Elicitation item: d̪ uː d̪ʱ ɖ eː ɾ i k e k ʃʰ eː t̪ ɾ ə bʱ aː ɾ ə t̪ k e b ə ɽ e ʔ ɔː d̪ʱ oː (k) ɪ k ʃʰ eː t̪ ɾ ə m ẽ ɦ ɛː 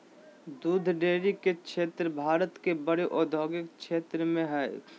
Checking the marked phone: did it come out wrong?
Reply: yes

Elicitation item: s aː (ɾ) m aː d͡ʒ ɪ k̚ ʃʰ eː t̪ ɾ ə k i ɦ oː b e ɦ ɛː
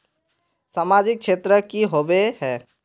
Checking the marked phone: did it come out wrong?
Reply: yes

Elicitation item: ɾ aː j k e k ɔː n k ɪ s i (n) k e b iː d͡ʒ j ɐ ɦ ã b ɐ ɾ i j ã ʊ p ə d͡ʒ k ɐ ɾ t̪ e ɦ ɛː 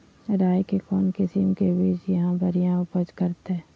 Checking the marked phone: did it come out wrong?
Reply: yes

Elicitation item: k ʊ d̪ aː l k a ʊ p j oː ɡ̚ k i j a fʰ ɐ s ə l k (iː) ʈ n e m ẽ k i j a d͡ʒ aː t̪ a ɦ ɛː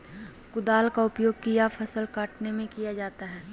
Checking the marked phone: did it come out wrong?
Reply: yes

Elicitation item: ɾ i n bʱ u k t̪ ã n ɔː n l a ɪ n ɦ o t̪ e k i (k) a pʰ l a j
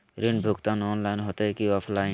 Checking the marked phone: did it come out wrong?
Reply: yes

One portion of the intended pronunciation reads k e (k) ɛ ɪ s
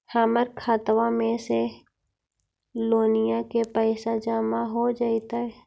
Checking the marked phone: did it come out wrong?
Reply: yes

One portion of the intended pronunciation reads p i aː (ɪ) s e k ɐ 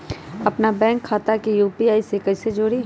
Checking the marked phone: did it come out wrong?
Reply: yes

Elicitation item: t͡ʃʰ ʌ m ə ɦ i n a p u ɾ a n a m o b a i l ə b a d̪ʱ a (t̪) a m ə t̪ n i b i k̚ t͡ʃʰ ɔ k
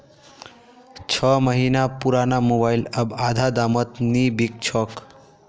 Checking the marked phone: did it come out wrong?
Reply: yes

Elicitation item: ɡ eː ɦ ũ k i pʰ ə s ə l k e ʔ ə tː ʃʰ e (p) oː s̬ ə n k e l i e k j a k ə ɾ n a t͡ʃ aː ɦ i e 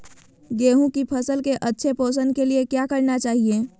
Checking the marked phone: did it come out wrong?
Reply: no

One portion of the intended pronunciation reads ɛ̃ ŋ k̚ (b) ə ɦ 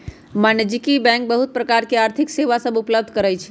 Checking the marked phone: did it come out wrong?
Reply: no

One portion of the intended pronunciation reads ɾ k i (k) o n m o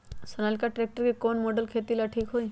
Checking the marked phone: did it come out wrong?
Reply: no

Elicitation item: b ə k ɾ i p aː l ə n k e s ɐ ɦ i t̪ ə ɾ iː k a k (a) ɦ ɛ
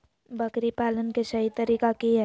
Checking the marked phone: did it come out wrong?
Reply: yes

